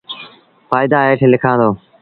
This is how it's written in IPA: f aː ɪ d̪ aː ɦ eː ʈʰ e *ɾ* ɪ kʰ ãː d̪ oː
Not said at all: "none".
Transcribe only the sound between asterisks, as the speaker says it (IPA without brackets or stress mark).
l